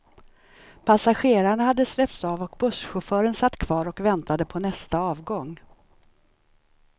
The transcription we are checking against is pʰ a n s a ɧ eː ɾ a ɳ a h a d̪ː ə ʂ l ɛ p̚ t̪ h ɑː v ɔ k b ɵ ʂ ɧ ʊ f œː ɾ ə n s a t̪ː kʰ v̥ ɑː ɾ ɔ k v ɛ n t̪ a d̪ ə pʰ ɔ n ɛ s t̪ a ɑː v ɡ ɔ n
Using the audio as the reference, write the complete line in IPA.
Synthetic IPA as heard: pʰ a s a ɧ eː ɾ a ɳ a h a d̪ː ə s l ɛ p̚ t̪ s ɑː v ɔ k b ɵ ʂ ɧ ʊ f œː ɾ ə n s a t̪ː kʰ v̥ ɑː ɾ ɔ k v ɛ n t̪ a d̪ ə pʰ ɔ n ɛ s t̪ a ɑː v ɡ ɔ ŋ